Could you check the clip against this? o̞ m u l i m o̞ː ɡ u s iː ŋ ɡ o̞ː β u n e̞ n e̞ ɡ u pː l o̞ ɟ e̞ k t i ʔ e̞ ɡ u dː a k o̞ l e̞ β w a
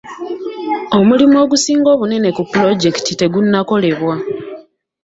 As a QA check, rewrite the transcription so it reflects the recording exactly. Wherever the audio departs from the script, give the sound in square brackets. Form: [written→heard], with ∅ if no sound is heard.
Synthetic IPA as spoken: o̞ m u l i m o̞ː ɡ u s iː ŋ ɡ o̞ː β u n e̞ n e̞ [ɡ→k] u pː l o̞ ɟ e̞ k t i [ʔ→t] e̞ ɡ u [dː→nː] a k o̞ l e̞ β w a

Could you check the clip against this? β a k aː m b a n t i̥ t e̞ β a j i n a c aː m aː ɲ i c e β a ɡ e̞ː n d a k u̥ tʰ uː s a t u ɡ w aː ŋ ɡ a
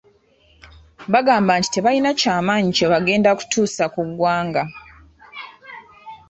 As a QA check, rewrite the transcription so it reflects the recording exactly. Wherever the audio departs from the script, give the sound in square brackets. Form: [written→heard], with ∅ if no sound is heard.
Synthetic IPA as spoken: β a [k→ɡ] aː m b a n t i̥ t e̞ β a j i n a c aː m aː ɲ i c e β a ɡ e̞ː n d a k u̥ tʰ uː s a [t→k] u ɡ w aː ŋ ɡ a

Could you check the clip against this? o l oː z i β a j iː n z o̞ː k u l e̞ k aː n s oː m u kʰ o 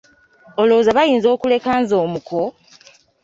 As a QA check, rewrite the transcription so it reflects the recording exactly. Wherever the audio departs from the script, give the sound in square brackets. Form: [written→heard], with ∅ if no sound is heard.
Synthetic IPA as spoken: o l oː z [i→a] β a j iː n z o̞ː k u l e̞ k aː n [s→z] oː m u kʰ o

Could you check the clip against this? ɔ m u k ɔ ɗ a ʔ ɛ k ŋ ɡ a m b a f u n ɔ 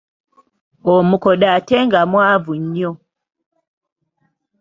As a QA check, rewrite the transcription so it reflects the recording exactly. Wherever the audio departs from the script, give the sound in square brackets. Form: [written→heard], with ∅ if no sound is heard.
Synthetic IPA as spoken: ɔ m u k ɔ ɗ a [ʔ→t] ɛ [k→∅] ŋ ɡ a m [b→w] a [f→v] u [n→ɲ] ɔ

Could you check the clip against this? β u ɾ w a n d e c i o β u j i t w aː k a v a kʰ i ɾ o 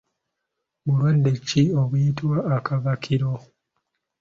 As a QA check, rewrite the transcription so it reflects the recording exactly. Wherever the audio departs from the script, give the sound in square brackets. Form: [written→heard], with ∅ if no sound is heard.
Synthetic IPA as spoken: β u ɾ w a n d e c i o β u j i t w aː k a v a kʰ i ɾ o

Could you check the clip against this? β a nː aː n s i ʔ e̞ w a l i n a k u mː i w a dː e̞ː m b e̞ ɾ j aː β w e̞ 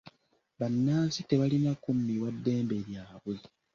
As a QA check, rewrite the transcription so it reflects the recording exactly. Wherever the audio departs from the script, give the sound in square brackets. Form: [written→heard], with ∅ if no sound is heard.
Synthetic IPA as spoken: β a nː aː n s i [ʔ→t] e̞ [w→β] a l i n a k u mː i w a dː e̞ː m b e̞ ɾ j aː β w e̞

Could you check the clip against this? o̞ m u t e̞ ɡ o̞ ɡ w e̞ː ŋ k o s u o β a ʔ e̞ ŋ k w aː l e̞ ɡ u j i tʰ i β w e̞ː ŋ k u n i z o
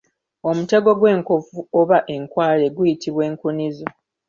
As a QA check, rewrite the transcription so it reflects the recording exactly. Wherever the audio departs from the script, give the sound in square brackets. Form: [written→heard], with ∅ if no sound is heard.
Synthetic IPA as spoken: o̞ m u t e̞ ɡ o̞ ɡ w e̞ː ŋ k o [s→f] u o β a ʔ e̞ ŋ k w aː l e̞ ɡ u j i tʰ i β w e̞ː ŋ k u n i z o

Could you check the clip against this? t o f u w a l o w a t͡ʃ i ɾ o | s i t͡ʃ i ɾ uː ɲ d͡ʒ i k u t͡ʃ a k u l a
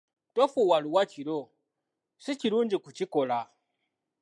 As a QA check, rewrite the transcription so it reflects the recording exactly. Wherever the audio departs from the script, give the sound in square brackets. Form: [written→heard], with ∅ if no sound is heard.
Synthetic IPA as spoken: t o f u w a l [o→u] w a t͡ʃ i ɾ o | s i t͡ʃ i ɾ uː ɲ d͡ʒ i k u t͡ʃ [a→i] k [u→o] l a

